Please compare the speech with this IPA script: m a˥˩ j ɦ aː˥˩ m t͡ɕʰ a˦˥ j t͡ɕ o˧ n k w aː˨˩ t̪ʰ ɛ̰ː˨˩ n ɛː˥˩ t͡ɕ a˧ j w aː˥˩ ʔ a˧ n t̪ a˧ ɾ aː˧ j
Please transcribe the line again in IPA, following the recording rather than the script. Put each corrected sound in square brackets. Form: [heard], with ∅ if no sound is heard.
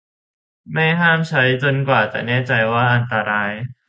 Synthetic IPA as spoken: m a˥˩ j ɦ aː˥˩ m t͡ɕʰ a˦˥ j t͡ɕ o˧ n k w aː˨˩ [t̪] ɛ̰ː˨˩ n ɛː˥˩ t͡ɕ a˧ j w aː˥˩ ʔ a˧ n t̪ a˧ ɾ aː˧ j